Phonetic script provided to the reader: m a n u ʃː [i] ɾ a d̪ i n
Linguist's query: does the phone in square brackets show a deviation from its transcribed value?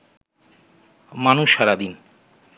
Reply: yes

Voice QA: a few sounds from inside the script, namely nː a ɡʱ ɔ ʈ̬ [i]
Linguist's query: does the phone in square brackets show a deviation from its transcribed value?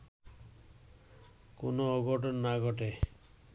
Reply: yes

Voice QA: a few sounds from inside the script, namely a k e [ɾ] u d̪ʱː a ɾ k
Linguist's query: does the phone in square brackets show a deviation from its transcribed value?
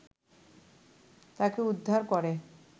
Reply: yes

